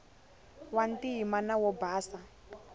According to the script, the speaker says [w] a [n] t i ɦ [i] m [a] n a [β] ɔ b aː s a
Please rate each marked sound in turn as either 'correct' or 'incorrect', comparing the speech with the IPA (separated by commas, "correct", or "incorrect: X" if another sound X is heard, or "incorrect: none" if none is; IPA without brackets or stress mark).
correct, correct, correct, correct, incorrect: w